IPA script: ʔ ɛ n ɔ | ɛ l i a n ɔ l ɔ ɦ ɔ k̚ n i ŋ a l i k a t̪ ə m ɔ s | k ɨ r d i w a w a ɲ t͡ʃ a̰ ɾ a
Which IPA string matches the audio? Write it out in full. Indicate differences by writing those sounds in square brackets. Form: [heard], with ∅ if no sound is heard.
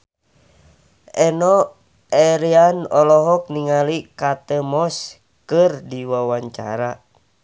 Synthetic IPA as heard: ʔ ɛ n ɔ | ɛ [ɾ] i a n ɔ l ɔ ɦ ɔ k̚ n i ŋ a l i k a t̪ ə m ɔ s | k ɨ r d i w a w a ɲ t͡ʃ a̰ ɾ a